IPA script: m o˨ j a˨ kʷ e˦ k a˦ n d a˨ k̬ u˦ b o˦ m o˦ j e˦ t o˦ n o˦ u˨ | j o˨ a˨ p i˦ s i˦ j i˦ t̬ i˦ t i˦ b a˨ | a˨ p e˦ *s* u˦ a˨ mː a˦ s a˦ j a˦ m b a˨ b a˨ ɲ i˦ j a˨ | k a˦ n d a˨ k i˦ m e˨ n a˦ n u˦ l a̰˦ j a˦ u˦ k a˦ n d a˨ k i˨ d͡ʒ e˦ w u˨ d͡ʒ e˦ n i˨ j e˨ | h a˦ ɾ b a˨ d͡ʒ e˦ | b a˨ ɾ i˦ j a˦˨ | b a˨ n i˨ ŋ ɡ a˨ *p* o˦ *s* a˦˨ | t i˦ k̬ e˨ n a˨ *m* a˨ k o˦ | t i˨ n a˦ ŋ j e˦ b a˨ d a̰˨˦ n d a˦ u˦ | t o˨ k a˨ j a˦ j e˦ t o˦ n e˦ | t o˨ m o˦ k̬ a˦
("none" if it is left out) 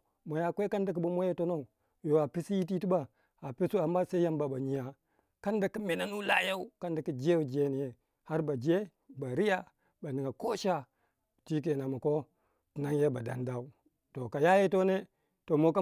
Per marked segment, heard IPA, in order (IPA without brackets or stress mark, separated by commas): s, k, ʃ, m